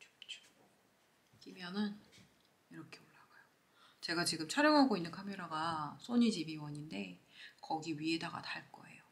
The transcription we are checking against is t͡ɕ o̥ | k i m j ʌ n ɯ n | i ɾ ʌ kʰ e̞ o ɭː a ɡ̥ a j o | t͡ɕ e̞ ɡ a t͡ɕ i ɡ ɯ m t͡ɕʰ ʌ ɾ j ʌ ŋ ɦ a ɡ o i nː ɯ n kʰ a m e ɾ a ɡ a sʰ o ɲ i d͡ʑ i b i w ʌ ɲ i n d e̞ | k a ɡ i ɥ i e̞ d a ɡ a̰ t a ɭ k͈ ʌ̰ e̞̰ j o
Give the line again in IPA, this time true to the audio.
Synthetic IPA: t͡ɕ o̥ | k i m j ʌ n ɯ n | i ɾ ʌ kʰ e̞ o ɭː a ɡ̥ a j o | t͡ɕ e̞ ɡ a t͡ɕ i ɡ ɯ m t͡ɕʰ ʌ ɾ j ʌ ŋ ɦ a ɡ o i nː ɯ n kʰ a m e ɾ a ɡ a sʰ o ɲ i d͡ʑ i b i w ʌ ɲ i n d e̞ | k ʌ ɡ i ɥ i e̞ d a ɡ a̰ t a ɭ k͈ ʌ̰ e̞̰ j o

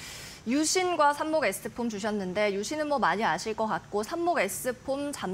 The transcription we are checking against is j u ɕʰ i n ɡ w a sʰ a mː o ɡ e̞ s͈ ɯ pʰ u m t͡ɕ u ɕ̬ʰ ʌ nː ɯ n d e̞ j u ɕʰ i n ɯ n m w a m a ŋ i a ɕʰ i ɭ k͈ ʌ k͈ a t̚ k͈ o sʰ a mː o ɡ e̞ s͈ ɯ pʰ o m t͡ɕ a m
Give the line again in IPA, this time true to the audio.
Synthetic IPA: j u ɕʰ i n ɡ w a sʰ a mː o ɡ e̞ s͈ ɯ pʰ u m t͡ɕ u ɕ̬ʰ ʌ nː ɯ n d e̞ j u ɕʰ i n ɯ n m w ʌ m a ɲ i a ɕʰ i ɭ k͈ ʌ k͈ a t̚ k͈ o sʰ a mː o ɡ e̞ s͈ ɯ pʰ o m t͡ɕ a m

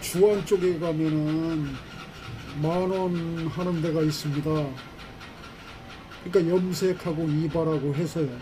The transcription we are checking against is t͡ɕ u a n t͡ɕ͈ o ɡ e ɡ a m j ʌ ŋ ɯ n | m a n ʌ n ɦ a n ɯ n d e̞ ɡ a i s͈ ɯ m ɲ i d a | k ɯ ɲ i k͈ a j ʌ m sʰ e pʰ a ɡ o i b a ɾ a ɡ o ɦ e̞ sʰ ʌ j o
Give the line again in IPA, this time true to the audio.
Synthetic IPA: t͡ɕ u a n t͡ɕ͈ o ɡ e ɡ a m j ʌ n ɯ n | m a n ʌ n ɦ a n ɯ n d e̞ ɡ a i s͈ ɯ m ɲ i d a | k ɯ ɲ i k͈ a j ʌ m sʰ e kʰ a ɡ o i b a ɾ a ɡ o ɦ e̞ sʰ ʌ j o

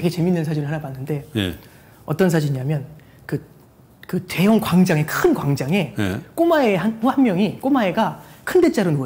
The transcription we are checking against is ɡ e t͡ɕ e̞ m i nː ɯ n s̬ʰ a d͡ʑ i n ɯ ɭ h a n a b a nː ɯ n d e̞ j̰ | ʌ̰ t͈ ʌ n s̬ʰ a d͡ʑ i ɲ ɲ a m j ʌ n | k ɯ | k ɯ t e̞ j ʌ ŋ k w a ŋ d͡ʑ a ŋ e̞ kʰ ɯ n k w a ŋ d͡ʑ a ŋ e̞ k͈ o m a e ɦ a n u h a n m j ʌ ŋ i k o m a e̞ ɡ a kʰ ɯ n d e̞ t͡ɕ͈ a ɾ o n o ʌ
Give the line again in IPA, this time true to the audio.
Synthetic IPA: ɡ e t͡ɕ e̞ m i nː ɯ n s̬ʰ a d͡ʑ i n ɯ ɭ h a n a b a nː ɯ n d e̞ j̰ | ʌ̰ t͈ ʌ n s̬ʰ a d͡ʑ i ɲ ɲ a m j ʌ n | k ɯ | k ɯ t e̞ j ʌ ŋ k w a ŋ d͡ʑ a ŋ e̞ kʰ ɯ n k w a ŋ d͡ʑ a ŋ e̞ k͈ o m a e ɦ a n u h a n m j ʌ ŋ i k o m a e̞ ɡ a kʰ ɯ n d e̞ t͡ɕ͈ a ɾ o n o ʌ

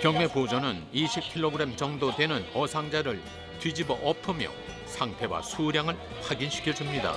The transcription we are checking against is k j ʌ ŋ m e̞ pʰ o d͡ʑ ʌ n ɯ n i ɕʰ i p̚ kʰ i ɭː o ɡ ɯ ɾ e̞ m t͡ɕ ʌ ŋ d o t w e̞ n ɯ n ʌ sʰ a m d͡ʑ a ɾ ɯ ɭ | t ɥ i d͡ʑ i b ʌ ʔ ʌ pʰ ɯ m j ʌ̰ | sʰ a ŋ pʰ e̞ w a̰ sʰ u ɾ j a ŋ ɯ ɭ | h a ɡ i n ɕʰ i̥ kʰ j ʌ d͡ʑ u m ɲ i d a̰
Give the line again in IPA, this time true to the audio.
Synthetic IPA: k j ʌ ŋ m e̞ p o d͡ʑ ʌ n ɯ n i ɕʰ i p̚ kʰ i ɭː o ɡ ɯ ɾ e̞ m t͡ɕ ʌ ŋ d o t w e̞ n ɯ n ʌ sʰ a ŋ d͡ʑ a ɾ ɯ ɭ | t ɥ i d͡ʑ i b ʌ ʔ ʌ pʰ ɯ m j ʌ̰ | sʰ a ŋ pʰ e̞ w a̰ sʰ u ɾ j a ŋ ɯ ɭ | h a ɡ i n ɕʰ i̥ kʰ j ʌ d͡ʑ u m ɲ i d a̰

